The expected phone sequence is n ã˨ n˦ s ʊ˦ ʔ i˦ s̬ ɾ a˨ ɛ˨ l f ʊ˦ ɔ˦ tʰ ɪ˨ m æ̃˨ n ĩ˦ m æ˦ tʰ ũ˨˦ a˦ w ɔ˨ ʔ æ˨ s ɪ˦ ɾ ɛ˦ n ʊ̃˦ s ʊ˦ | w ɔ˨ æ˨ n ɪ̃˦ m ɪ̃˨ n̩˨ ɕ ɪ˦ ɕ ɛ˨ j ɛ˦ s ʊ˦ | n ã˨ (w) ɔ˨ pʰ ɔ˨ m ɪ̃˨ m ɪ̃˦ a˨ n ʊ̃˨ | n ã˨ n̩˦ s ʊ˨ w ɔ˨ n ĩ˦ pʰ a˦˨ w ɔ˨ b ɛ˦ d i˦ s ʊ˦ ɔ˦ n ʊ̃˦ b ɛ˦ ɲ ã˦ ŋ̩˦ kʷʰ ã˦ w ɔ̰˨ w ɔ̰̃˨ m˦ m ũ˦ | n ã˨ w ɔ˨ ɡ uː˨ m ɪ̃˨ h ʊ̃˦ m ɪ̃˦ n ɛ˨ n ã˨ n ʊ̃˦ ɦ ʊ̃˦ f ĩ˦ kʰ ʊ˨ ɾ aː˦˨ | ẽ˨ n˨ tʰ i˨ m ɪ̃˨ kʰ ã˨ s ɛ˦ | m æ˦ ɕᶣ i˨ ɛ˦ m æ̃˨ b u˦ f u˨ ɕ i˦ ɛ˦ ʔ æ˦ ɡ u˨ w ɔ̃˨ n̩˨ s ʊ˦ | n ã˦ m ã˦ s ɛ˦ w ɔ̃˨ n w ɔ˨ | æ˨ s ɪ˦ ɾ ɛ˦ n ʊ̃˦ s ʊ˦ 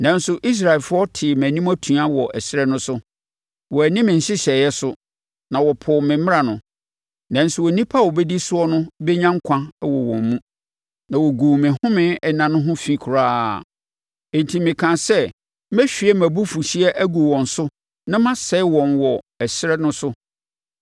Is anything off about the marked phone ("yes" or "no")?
no